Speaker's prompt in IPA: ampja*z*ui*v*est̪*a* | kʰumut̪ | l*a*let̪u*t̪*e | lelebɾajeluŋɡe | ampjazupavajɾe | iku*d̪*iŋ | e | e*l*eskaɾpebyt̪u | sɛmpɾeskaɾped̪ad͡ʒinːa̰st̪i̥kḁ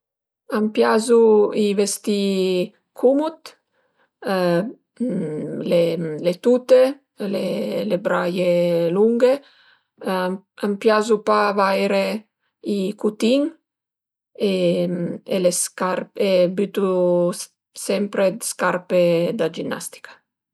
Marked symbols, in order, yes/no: yes, yes, no, no, yes, no, yes

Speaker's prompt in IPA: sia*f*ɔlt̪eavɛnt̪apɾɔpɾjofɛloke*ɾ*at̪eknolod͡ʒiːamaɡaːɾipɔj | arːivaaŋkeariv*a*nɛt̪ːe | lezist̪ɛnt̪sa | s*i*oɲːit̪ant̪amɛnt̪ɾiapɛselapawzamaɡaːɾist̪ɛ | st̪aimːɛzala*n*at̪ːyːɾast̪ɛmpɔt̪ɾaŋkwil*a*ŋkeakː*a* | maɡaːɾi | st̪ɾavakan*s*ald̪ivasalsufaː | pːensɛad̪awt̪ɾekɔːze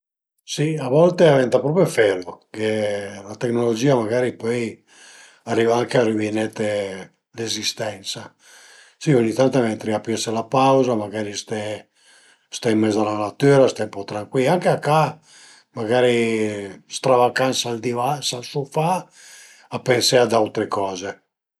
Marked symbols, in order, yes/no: no, no, no, yes, yes, yes, yes, yes

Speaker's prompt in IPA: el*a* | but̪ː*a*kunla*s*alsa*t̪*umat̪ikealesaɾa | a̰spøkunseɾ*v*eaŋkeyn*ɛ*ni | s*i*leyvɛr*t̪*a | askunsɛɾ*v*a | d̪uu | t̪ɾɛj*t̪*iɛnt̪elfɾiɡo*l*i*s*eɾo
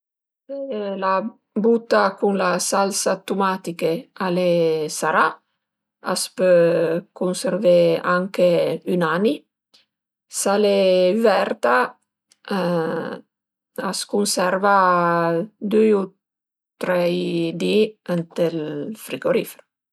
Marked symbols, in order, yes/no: yes, yes, yes, yes, yes, no, no, yes, yes, no, no, no

